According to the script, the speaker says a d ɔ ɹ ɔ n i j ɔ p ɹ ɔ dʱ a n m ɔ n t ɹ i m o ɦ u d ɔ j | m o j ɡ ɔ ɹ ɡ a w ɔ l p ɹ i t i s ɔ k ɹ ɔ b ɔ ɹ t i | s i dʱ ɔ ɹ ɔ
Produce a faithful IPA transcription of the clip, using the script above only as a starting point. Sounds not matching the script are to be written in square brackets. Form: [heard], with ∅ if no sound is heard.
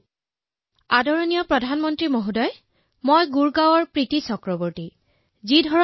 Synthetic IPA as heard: a d ɔ ɹ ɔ n i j ɔ p ɹ ɔ dʱ a n m ɔ n t ɹ i m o ɦ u d ɔ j | m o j ɡ [u] ɹ ɡ a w ɔ [ɹ] p ɹ i t i s ɔ k ɹ ɔ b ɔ ɹ t i | [z] i dʱ ɔ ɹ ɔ